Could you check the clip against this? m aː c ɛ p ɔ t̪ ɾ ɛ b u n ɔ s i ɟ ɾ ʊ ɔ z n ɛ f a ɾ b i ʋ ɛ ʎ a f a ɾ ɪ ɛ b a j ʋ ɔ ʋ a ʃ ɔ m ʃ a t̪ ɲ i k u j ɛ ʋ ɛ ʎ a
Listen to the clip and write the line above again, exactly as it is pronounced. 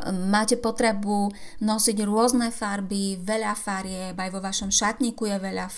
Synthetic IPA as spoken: m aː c ɛ p ɔ t̪ ɾ ɛ b u n ɔ s i ɟ ɾ ʊ ɔ z n ɛ f a ɾ b i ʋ ɛ ʎ a f a ɾ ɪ ɛ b a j ʋ ɔ ʋ a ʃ ɔ m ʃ a t̪ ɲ i k u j ɛ ʋ ɛ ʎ a